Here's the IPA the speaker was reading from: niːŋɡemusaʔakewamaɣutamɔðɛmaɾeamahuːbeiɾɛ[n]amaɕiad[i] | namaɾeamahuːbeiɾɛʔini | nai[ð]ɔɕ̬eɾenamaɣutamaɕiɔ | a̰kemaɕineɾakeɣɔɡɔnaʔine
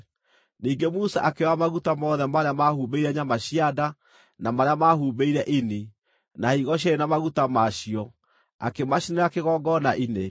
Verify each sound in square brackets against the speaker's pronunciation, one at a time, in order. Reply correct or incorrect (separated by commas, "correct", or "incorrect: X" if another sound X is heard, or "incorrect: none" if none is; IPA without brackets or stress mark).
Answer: incorrect: ɲ, incorrect: a, incorrect: ɣ